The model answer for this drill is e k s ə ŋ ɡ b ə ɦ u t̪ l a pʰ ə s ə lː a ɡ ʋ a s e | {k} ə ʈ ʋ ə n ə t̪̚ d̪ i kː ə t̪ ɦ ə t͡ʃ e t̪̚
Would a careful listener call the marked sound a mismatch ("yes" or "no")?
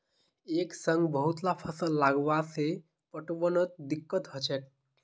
yes